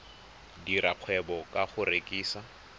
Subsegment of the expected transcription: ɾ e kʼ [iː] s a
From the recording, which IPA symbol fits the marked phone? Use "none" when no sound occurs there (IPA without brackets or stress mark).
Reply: iː